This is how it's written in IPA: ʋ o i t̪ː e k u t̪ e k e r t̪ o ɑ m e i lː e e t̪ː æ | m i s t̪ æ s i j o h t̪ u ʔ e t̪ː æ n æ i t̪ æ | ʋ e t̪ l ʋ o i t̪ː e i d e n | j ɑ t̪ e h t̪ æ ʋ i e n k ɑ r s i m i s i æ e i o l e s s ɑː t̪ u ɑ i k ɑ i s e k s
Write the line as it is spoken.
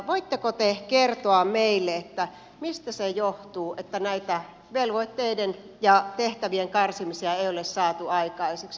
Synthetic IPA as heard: ʋ o i t̪ː e k o t̪ e k e r t̪ o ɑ m e i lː e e t̪ː æ | m i s t̪ æ s e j o h t̪ uː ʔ e t̪ː æ n æ i t̪ æ | ʋ e l ʋ o i t̪ː e i d e n | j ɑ t̪ e h t̪ æ ʋ i e ŋ k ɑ r s i m i s i æ e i o l e s s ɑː t̪ u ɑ i k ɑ i s e k s